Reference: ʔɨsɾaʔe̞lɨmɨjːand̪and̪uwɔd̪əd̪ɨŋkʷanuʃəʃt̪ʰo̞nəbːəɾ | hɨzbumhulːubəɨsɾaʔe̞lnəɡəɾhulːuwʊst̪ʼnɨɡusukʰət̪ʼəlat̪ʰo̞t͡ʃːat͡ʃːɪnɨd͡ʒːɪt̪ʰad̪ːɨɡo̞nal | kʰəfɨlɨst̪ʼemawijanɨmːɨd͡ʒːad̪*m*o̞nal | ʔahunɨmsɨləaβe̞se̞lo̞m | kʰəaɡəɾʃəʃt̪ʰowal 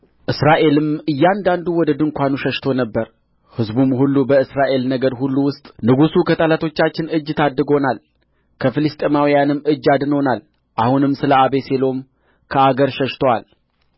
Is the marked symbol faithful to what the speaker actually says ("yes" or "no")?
no